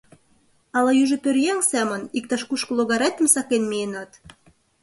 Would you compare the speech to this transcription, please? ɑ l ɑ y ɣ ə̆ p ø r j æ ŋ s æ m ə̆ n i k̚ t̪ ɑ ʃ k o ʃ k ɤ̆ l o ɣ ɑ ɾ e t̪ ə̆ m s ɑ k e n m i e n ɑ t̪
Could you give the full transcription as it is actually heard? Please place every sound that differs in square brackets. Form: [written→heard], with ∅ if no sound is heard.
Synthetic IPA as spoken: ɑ l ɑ y [ɣ→ʒ] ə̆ p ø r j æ ŋ s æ m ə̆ n i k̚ t̪ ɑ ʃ k [o→u] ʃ k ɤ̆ l o ɣ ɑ ɾ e t̪ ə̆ m s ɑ k e n m i e n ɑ t̪